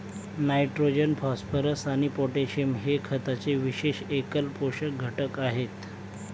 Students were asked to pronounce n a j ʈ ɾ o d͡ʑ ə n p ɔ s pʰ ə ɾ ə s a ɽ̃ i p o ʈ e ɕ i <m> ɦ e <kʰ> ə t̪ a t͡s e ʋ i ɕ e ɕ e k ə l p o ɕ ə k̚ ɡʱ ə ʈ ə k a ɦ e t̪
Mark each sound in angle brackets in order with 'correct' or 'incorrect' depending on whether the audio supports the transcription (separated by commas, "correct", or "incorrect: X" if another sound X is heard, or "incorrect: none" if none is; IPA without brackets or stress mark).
correct, correct